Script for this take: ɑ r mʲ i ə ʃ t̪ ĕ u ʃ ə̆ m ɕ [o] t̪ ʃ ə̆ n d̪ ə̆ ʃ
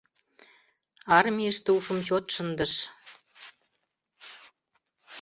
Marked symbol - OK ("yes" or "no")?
yes